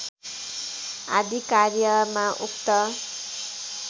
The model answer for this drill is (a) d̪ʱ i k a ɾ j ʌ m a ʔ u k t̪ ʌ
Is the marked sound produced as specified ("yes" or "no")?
yes